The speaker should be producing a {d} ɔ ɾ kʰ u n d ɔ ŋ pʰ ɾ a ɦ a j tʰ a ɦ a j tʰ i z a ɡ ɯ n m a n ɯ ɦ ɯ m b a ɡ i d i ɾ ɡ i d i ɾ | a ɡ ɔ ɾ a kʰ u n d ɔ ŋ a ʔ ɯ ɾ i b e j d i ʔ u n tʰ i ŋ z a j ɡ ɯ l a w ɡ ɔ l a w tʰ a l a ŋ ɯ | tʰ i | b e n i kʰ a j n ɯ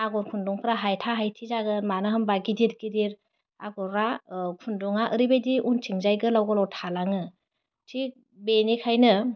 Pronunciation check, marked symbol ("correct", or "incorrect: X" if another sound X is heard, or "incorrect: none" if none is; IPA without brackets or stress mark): incorrect: ɡ